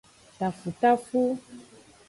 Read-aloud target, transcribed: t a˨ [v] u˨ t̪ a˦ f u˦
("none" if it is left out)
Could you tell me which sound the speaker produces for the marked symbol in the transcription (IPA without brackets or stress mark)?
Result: f